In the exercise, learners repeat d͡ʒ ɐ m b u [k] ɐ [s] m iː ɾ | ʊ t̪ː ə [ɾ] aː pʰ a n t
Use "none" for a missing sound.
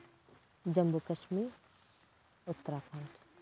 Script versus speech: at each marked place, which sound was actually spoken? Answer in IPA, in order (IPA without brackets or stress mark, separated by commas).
k, ʃ, ɾ